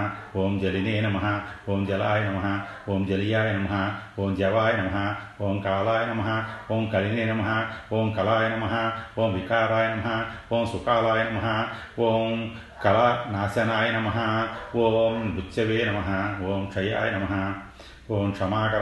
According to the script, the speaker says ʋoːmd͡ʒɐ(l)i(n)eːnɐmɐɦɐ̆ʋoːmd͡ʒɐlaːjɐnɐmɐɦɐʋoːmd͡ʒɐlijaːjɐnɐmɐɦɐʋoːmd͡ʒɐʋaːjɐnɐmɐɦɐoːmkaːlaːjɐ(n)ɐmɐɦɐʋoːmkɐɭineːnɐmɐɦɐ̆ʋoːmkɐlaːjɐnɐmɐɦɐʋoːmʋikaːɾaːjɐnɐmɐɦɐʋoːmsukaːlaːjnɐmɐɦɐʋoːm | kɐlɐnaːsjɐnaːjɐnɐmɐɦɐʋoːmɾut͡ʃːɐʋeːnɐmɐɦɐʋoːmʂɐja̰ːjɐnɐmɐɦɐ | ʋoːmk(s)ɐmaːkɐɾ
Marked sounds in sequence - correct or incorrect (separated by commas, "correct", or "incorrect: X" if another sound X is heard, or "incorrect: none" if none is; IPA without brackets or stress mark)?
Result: correct, correct, correct, incorrect: ʂ